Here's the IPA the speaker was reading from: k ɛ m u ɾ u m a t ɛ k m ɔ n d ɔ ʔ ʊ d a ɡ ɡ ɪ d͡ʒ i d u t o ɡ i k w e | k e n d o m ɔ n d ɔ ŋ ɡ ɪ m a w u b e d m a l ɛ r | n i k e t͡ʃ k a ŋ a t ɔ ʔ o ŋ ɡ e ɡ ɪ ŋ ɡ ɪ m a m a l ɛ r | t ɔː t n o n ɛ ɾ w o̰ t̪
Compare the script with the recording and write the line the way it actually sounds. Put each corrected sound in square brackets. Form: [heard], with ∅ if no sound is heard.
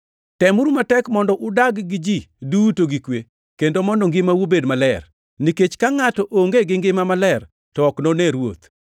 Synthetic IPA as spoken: [t] ɛ m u ɾ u m a t ɛ k m ɔ n d ɔ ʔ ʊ d a ɡ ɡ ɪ d͡ʒ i d u t o ɡ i k w e | k e n d o m ɔ n d ɔ ŋ ɡ ɪ m a w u b e d m a l ɛ r | n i k e t͡ʃ k a ŋ a t ɔ ʔ o ŋ ɡ e ɡ ɪ ŋ ɡ ɪ m a m a l ɛ r | t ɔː [k] n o n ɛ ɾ w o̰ t̪